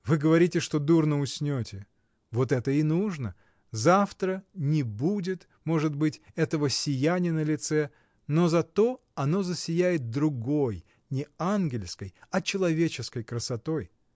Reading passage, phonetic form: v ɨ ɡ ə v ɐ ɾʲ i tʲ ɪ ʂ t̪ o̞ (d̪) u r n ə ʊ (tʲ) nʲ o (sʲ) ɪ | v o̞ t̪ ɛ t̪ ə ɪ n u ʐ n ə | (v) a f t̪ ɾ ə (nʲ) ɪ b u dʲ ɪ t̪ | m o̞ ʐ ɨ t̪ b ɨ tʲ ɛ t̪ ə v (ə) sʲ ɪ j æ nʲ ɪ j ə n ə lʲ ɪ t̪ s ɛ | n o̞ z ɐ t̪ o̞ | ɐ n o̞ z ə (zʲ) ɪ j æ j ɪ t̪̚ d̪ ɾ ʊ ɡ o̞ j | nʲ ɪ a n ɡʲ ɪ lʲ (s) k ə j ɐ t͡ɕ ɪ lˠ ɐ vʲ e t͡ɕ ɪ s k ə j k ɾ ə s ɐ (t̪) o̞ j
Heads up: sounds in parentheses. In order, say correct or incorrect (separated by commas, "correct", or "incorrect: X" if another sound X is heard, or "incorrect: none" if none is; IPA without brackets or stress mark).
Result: correct, incorrect: sʲ, incorrect: tʲ, incorrect: z, correct, correct, incorrect: sʲ, correct, correct